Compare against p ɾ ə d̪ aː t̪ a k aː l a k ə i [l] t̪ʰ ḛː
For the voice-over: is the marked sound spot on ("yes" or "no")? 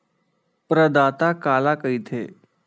no